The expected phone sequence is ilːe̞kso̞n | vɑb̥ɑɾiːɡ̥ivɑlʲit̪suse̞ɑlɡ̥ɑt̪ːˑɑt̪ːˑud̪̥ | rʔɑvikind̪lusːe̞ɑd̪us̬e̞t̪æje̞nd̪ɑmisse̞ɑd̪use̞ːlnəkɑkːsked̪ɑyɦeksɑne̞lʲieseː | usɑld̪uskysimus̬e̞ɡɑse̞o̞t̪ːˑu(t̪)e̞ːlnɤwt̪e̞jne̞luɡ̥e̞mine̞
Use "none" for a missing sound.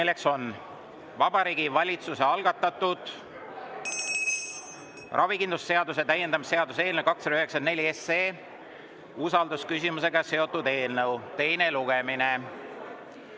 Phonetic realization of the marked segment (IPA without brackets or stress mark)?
d̪